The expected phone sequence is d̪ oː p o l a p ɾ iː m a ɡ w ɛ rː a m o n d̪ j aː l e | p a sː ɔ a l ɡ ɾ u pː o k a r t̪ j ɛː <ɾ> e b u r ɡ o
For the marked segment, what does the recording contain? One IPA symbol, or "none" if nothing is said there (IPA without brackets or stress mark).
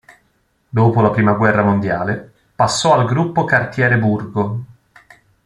ɾ